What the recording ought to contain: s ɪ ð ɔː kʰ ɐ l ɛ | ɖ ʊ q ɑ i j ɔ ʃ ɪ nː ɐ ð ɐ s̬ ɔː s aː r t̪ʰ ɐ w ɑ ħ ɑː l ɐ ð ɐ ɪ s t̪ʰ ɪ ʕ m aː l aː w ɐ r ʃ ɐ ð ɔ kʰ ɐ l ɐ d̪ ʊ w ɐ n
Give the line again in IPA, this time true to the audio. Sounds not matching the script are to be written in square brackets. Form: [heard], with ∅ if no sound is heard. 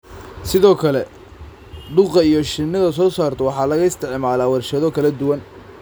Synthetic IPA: s ɪ ð ɔː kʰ ɐ l ɛ | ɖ ʊ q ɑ i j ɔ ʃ ɪ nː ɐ ð ɐ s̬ ɔː s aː r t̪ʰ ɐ w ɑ ħ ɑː l ɐ [ɣ] ɐ ɪ s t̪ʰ ɪ ʕ m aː l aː w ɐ r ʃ ɐ ð ɔ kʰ ɐ l ɐ d̪ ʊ w ɐ n